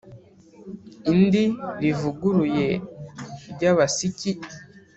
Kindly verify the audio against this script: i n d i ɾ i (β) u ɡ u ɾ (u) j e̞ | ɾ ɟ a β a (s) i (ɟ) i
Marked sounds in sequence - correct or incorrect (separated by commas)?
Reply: incorrect, correct, correct, incorrect